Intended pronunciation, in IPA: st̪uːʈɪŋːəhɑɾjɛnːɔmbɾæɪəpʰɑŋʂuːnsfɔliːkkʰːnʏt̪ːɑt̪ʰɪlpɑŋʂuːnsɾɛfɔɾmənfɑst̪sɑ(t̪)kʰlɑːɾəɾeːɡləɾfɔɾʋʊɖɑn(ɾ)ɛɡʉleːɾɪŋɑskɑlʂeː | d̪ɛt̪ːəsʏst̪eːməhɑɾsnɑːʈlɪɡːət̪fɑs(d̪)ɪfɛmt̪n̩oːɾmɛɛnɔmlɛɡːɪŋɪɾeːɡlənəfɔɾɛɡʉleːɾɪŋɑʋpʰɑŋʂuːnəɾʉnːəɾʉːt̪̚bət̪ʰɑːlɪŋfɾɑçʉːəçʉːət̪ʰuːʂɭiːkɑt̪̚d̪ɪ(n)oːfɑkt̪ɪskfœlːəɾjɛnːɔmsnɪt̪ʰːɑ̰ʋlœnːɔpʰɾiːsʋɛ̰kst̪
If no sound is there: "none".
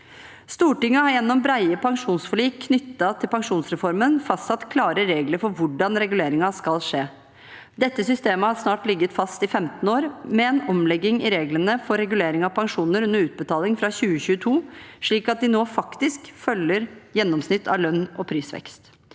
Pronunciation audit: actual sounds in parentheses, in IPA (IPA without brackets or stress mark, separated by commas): t̪, ɾ, t̪, n